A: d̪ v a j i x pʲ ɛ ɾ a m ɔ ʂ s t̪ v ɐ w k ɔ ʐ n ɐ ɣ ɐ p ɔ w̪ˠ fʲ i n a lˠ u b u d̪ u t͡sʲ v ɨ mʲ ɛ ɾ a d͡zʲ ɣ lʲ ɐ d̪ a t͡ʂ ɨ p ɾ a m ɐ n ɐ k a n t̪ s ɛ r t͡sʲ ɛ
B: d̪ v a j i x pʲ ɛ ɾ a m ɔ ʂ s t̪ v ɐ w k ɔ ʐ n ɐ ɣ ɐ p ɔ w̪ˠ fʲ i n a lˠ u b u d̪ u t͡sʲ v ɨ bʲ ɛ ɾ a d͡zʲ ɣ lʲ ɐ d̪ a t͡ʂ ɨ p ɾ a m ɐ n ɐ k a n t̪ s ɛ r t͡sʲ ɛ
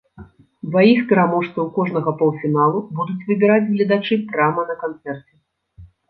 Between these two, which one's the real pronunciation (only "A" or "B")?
B